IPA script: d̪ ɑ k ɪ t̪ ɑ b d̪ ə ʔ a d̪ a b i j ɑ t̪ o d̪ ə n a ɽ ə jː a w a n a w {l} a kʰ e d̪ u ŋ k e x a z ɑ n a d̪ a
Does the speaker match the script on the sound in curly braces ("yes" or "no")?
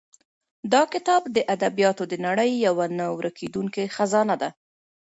no